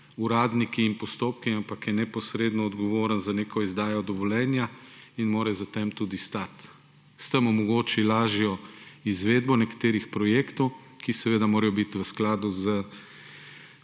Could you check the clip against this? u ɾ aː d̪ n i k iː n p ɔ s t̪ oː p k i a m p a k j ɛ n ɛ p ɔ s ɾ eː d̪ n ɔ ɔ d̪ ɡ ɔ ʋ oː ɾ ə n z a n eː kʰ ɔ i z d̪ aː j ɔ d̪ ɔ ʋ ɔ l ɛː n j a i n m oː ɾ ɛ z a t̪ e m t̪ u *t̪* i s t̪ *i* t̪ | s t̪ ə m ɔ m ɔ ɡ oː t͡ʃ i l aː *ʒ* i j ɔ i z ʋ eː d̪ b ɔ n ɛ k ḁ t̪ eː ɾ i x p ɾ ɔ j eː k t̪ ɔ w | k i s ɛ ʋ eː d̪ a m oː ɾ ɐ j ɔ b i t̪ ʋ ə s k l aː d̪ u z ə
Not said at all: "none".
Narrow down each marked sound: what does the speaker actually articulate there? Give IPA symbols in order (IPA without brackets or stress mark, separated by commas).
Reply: d̪, a, ʒ